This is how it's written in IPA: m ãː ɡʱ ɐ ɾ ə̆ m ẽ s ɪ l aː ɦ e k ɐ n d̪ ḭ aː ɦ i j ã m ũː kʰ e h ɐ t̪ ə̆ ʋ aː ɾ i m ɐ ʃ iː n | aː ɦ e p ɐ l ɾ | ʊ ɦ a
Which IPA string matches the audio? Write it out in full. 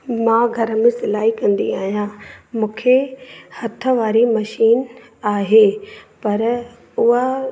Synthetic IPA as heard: m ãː ɡʱ ɐ ɾ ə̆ m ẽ s ɪ l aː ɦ i k ɐ̃ n d̪ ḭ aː ɦ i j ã m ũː kʰ e h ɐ t̪ʰ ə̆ ʋ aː ɾ i m ɐ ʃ iː n | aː ɦ e p ɐ ɾ | ʊ ɦ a